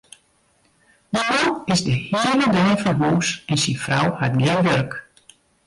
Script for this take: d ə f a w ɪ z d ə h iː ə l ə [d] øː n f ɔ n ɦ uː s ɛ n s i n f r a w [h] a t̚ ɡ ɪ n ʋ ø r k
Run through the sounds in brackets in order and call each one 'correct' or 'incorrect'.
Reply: correct, correct

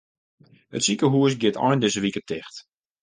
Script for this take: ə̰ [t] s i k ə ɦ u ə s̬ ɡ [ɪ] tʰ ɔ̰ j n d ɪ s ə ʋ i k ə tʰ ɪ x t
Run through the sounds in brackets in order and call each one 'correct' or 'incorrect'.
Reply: correct, correct

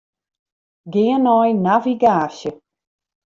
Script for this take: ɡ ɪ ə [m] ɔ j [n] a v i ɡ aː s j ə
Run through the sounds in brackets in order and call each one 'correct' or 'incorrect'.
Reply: incorrect: n, correct

